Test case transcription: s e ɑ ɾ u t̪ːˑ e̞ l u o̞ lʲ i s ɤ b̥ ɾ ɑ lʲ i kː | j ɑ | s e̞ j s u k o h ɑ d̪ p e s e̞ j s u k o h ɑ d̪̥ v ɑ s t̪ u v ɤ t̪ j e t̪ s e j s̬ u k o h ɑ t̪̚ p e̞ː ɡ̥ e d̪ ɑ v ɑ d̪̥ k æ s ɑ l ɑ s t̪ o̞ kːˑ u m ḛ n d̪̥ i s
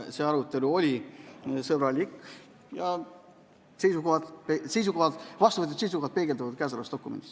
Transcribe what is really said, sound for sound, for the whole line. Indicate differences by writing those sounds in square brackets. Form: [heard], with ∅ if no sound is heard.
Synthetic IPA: s e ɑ ɾ u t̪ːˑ e̞ l u o̞ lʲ i s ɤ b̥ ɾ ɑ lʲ i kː | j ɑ | s e̞ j s u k o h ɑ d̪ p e s e̞ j s u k o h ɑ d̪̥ v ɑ s t̪ u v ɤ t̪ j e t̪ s e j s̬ u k o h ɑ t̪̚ p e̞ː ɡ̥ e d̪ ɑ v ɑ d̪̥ k æ s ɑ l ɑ s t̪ o̞ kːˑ u m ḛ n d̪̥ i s